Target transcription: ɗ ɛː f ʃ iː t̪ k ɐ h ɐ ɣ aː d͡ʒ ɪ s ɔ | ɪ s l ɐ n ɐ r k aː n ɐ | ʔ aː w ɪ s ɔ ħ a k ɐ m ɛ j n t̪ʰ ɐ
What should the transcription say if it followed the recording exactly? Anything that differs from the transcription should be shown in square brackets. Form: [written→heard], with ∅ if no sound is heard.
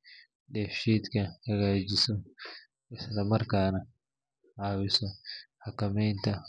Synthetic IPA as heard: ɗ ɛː f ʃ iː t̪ k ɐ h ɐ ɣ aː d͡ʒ ɪ s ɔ | ɪ s l ɐ [n→m] ɐ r k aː n ɐ | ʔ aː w ɪ s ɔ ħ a k ɐ m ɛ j n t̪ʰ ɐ